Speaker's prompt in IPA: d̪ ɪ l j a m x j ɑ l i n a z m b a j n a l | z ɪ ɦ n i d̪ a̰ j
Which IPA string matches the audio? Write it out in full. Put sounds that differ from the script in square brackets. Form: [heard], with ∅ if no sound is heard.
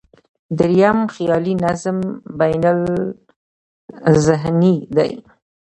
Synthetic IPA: d̪ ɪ [ɾ] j a m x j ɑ l i n a z m b a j n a l | z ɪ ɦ n i d̪ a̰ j